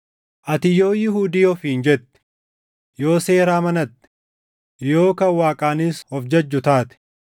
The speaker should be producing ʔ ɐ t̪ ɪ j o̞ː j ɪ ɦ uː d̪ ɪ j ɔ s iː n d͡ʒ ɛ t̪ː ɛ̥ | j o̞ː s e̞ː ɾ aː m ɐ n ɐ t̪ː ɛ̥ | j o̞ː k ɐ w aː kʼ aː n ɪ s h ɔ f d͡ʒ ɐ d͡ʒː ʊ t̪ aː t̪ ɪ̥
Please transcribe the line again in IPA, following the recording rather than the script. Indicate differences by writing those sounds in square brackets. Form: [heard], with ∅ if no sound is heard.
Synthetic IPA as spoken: ʔ ɐ t̪ ɪ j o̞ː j ɪ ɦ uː d̪ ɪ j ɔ [f] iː n d͡ʒ ɛ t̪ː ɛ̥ | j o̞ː s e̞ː ɾ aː m ɐ n ɐ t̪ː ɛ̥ | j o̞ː k ɐ w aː kʼ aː n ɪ s h ɔ f d͡ʒ ɐ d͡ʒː ʊ t̪ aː t̪ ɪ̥